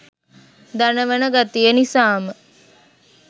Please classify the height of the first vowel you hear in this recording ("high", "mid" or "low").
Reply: low